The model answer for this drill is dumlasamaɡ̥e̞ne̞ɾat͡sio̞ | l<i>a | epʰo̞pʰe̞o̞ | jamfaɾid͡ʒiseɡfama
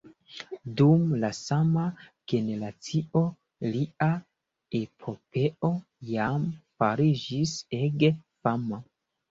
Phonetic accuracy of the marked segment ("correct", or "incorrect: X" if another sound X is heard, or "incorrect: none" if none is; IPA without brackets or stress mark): correct